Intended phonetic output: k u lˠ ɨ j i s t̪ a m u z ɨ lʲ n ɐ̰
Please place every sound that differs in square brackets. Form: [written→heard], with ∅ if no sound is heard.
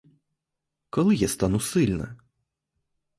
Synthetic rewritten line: k [u→ɔ] lˠ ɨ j [i→a] s t̪ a [m→n] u [z→s] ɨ lʲ n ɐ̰